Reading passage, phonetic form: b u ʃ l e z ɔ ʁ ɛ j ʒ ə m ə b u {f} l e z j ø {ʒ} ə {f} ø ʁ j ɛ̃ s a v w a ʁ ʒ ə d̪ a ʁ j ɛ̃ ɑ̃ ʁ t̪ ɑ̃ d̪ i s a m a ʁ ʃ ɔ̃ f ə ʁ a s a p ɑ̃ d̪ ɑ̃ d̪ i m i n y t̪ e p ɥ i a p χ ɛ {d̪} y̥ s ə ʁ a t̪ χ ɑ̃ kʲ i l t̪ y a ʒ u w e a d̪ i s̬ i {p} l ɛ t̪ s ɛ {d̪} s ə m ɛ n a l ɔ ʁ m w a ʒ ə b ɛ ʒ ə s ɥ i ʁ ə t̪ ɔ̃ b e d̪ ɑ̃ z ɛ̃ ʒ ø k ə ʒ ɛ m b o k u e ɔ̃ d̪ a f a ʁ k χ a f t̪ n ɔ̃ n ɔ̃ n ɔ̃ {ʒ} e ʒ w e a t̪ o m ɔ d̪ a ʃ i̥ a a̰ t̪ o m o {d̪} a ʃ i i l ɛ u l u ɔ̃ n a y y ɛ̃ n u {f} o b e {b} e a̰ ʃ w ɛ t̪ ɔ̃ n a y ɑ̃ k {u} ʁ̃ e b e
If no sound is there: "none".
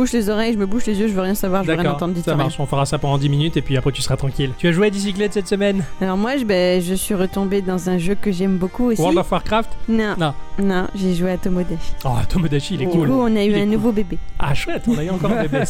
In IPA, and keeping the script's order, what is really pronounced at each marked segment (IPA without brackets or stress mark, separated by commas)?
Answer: ʃ, ʒ, v, t̪, k, t̪, ʒ, d̪, v, b, ɔ